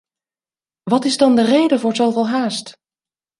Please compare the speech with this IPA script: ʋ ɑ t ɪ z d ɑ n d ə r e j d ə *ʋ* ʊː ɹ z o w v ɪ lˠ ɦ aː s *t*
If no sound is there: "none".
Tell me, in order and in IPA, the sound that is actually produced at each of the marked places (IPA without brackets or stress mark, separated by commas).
v, t